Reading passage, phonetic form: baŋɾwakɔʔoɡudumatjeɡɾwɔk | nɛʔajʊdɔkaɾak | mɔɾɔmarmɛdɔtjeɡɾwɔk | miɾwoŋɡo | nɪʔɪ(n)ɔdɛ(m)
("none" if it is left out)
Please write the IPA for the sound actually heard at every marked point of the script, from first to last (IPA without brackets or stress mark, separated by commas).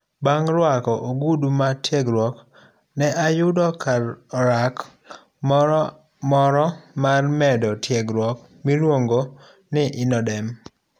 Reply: n, m